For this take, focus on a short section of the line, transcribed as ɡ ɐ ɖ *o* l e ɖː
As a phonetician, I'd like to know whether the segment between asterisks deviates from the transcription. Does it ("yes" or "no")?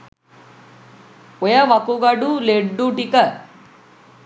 yes